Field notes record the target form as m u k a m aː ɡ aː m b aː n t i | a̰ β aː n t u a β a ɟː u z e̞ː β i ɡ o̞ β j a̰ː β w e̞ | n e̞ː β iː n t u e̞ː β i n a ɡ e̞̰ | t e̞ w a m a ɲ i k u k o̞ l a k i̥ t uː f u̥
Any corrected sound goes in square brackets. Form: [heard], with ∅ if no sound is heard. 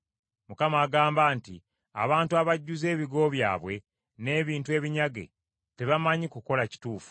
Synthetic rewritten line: m u k a m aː ɡ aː m b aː n t i | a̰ β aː n t u a β a ɟː u z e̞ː β i ɡ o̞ β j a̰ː β w e̞ | n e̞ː β iː n t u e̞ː β i [ɲ] a ɡ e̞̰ | t e̞ [β] a m a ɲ i k u k o̞ l a [c] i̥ t uː f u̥